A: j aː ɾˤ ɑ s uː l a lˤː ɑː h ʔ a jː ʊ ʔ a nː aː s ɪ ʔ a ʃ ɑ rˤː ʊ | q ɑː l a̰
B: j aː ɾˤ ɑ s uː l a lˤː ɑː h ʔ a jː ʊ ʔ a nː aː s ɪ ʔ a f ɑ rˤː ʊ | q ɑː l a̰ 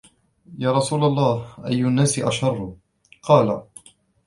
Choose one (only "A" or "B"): A